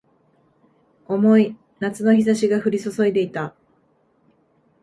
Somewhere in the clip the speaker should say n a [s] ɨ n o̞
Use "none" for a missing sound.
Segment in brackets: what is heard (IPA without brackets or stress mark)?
t͡s